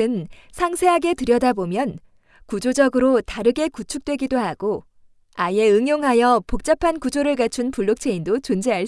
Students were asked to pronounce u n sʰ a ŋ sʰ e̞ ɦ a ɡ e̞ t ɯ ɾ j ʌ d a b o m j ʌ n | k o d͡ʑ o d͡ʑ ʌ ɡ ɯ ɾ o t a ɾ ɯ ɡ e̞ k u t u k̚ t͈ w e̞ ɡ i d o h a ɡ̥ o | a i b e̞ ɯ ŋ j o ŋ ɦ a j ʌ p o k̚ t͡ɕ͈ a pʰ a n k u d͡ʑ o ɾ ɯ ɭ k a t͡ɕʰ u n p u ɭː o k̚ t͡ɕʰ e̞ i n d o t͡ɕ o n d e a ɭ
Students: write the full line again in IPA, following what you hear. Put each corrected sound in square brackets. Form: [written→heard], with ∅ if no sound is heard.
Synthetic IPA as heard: [u→ɯ] n sʰ a ŋ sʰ e̞ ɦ a ɡ e̞ t ɯ ɾ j ʌ d a b o m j ʌ n | k [o→u] d͡ʑ o d͡ʑ ʌ ɡ ɯ ɾ o t a ɾ ɯ ɡ e̞ k u [t→t͡ɕʰ] u k̚ t͈ w e̞ ɡ i d o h a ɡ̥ o | a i [b→∅] e̞ ɯ ŋ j o ŋ ɦ a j ʌ p o k̚ t͡ɕ͈ a pʰ a n k u d͡ʑ o ɾ ɯ ɭ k a t͡ɕʰ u n p u ɭː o k̚ t͡ɕʰ e̞ i n d o t͡ɕ o n [d→d͡ʑ] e a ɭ

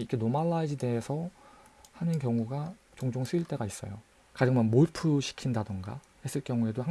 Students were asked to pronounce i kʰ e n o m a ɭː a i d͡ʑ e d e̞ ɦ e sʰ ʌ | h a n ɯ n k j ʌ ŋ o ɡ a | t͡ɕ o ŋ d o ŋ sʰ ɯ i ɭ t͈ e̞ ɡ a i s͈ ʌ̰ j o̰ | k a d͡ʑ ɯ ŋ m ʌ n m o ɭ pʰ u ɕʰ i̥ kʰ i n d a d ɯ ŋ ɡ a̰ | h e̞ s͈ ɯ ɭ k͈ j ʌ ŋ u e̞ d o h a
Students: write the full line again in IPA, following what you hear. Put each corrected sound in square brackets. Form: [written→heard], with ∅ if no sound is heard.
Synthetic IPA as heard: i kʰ e n o m a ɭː a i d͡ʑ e d e̞ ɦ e sʰ ʌ | h a n ɯ n k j ʌ ŋ [o→u] ɡ a | t͡ɕ o ŋ [d→d͡ʑ] o ŋ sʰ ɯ i ɭ t͈ e̞ ɡ a i s͈ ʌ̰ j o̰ | k a d͡ʑ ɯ ŋ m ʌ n m o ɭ pʰ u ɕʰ i̥ kʰ i n d a d ɯ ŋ ɡ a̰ | h e̞ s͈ ɯ ɭ k͈ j ʌ ŋ u e̞ d o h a

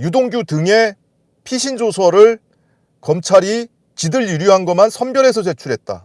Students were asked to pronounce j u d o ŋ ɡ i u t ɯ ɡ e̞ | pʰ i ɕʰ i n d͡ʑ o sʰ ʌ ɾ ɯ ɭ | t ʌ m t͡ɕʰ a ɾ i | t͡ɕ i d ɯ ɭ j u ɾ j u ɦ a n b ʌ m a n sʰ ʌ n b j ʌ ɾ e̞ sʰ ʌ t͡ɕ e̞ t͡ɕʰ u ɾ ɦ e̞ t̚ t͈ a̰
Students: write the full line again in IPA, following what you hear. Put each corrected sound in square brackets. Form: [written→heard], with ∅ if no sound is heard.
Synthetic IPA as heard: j u d o ŋ ɡ [i→j] u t ɯ [ɡ→ŋ] e̞ | pʰ i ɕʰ i n d͡ʑ o sʰ ʌ ɾ ɯ ɭ | [t→k] ʌ m t͡ɕʰ a ɾ i | t͡ɕ i d ɯ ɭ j u ɾ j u ɦ a n [b→ɡ] ʌ m a n sʰ ʌ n b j ʌ ɾ e̞ sʰ ʌ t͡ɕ e̞ t͡ɕʰ u ɾ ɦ e̞ t̚ t͈ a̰

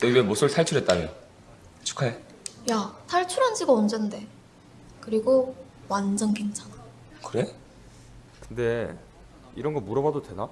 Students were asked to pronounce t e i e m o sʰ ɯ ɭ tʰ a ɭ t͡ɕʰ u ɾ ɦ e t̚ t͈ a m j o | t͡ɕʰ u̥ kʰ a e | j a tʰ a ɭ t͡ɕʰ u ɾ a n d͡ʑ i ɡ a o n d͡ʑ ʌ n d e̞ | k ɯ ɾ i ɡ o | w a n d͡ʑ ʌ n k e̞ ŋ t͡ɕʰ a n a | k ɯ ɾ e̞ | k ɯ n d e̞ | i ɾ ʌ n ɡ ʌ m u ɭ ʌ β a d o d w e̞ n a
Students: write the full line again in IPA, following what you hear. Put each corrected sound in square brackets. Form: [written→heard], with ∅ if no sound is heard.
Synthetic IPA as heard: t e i e m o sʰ ɯ ɭ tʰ a ɭ t͡ɕʰ u ɾ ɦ e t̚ t͈ a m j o | t͡ɕʰ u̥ kʰ a e | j a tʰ a ɭ t͡ɕʰ u ɾ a n d͡ʑ i ɡ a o n d͡ʑ ʌ n d e̞ | k ɯ ɾ i ɡ o | w a n d͡ʑ ʌ n k e̞ ŋ t͡ɕʰ a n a | k ɯ ɾ e̞ | k ɯ n d e̞ | i ɾ ʌ n ɡ ʌ m u [ɭ→ɾ] ʌ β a d o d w e̞ n a

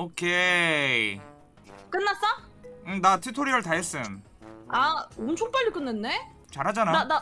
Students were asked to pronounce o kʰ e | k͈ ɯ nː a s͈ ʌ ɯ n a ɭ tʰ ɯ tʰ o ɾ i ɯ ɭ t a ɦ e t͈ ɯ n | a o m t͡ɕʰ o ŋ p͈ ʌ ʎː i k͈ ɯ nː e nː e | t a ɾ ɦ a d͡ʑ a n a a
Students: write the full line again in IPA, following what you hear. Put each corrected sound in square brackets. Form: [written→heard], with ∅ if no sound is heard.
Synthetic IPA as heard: o kʰ e | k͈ ɯ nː a s͈ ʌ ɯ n a [ɭ→∅] tʰ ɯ tʰ o ɾ i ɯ ɭ t a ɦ e [t͈→s͈] ɯ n | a o m t͡ɕʰ o ŋ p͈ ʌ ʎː i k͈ ɯ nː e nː e | [t→t͡ɕ] a ɾ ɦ a d͡ʑ a n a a

